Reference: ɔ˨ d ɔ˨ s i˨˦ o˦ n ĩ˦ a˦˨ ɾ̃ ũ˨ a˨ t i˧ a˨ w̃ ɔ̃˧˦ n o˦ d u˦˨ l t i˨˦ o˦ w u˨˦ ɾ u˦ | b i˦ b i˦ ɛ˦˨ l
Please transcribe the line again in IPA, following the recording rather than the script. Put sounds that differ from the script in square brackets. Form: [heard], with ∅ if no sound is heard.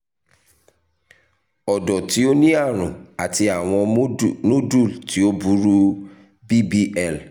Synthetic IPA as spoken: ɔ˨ d ɔ˨ [t] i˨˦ o˦ n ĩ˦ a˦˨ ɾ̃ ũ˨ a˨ t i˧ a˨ w̃ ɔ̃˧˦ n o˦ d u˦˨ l t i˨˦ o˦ [b] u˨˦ ɾ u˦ | b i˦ b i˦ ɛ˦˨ l